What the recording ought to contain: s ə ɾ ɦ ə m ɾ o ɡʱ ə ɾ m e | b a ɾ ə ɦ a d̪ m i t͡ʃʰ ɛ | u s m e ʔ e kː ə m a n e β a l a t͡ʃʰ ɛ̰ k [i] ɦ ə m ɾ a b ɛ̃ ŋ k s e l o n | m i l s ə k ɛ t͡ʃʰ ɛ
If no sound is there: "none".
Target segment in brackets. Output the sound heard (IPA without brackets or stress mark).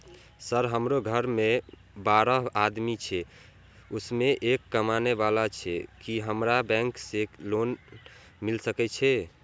i